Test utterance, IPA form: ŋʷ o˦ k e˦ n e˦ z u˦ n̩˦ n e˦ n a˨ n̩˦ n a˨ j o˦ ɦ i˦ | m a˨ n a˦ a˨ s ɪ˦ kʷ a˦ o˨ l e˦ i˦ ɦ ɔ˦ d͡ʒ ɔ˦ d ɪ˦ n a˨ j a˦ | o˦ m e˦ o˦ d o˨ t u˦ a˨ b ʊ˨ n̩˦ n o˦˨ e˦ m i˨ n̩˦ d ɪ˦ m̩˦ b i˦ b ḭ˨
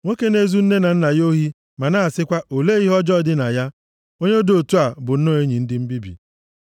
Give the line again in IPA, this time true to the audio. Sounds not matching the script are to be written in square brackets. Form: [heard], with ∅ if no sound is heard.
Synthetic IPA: ŋʷ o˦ k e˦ n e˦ z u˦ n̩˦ n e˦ n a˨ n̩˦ n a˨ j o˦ ɦ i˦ | m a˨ n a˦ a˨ s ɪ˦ kʷ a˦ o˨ l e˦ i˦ ɦ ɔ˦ d͡ʒ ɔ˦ d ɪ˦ n a˨ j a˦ | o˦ [ɲ] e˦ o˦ d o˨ t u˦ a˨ b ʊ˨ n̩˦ n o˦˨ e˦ [ɲ] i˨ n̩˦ d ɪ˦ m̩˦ b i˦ b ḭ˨